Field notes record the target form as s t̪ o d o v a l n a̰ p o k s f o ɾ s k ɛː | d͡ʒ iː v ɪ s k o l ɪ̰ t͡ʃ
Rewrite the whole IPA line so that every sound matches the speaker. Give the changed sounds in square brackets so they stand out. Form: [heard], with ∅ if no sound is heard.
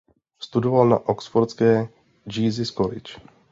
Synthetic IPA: s t̪ [u] d o v a l n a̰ [ʔ] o k s f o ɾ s k ɛː | d͡ʒ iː [z] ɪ s k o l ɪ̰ t͡ʃ